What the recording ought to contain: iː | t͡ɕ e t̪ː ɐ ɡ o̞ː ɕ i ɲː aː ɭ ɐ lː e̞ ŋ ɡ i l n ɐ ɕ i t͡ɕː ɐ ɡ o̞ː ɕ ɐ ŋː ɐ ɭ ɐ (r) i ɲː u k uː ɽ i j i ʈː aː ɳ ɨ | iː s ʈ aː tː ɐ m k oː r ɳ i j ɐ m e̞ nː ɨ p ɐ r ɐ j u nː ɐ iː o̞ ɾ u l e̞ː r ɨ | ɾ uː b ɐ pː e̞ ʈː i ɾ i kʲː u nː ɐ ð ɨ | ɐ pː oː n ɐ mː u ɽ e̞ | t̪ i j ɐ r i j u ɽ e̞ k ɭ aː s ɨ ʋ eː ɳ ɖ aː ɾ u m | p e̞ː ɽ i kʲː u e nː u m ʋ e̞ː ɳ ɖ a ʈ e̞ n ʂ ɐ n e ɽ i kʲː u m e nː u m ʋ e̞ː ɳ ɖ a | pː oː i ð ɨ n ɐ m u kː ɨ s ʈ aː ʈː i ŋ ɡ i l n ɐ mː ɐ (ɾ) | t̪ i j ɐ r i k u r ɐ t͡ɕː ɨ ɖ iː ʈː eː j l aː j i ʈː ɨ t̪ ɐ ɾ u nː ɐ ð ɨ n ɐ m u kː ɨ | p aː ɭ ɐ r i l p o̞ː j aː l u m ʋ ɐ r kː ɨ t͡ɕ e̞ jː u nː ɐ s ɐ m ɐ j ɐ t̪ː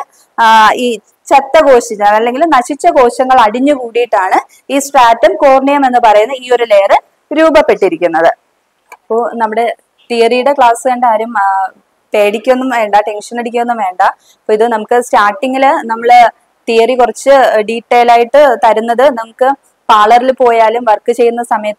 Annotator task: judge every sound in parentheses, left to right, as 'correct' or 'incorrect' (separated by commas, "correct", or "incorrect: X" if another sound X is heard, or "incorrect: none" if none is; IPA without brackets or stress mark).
incorrect: ɽ, incorrect: ɭ